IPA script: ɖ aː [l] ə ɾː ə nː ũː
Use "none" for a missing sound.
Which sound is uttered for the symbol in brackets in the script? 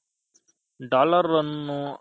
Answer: l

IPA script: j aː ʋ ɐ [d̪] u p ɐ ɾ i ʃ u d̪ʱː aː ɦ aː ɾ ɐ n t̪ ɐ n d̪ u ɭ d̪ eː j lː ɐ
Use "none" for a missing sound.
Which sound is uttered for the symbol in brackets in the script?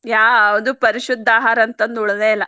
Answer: d̪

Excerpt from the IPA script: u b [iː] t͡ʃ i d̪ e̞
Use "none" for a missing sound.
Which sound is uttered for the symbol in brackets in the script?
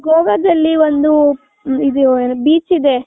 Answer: iː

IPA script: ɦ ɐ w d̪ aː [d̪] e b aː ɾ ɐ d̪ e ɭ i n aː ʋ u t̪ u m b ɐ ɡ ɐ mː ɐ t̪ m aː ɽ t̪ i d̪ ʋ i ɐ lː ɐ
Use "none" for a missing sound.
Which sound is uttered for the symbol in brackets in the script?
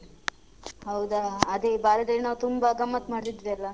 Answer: d̪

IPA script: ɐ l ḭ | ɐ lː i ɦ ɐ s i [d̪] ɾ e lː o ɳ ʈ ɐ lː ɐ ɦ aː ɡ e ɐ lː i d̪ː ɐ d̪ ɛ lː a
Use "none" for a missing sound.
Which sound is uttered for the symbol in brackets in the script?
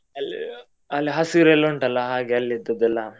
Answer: none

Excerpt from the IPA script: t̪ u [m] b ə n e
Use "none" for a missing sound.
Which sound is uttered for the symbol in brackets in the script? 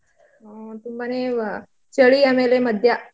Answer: m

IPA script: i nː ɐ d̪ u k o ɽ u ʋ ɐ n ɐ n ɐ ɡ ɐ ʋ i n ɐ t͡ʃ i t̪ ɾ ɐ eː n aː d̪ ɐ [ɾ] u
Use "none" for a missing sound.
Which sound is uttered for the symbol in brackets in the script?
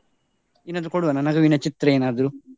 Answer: ɾ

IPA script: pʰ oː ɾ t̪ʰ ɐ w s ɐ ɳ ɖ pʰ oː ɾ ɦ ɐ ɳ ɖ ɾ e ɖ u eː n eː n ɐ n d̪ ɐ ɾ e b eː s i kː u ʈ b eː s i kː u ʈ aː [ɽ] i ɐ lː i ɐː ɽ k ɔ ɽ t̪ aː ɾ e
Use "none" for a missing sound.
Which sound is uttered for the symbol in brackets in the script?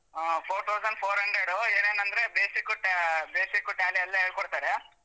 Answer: l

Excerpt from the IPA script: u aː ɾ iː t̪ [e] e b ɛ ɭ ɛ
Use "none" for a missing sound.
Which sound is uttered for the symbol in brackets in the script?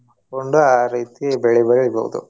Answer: i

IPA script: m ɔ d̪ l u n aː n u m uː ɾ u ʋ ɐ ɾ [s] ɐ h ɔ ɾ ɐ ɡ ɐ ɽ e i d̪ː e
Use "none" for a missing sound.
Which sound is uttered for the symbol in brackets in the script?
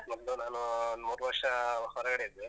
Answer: ʂ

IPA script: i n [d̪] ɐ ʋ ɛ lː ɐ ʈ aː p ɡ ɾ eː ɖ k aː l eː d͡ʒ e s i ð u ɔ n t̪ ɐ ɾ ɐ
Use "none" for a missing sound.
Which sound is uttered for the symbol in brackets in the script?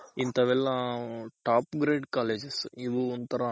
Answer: t̪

